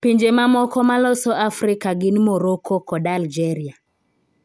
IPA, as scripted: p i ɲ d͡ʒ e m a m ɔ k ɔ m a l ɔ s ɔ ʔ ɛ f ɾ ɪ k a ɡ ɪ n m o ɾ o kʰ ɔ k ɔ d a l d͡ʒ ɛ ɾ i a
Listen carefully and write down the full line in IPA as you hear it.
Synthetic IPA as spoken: p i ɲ d͡ʒ e m a m ɔ k ɔ m a l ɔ s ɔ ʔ a f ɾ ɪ k a ɡ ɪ n m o ɾ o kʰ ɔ k ɔ d a l d͡ʒ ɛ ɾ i a

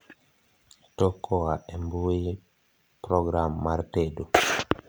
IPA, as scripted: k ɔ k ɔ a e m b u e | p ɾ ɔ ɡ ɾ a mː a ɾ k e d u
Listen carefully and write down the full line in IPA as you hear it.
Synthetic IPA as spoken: t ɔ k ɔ a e m b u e | p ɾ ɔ ɡ ɾ a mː a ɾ t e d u

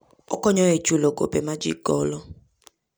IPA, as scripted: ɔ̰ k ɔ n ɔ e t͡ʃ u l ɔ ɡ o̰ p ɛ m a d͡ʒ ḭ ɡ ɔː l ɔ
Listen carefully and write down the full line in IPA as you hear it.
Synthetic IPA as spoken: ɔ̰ k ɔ ɲ ɔ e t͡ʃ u l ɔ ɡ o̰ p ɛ m a d͡ʒ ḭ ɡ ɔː l ɔ

